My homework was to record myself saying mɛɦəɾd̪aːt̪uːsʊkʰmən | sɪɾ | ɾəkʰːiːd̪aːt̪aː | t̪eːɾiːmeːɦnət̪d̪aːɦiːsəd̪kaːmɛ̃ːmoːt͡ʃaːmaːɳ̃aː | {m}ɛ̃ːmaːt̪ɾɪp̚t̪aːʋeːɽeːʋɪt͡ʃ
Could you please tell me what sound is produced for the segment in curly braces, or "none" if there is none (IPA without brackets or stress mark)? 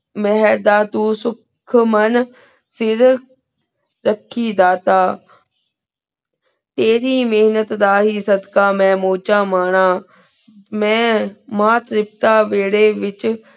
m